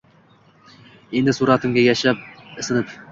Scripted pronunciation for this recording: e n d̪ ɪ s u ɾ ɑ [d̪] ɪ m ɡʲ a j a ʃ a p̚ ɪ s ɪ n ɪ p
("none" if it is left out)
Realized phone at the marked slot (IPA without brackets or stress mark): t̪